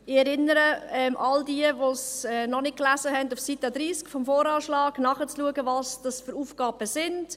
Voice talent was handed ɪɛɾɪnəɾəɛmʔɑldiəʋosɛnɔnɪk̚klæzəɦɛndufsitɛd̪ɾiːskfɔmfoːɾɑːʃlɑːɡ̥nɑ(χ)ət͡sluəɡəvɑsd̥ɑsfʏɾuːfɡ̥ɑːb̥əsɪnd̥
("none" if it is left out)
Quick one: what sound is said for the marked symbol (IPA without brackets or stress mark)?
χ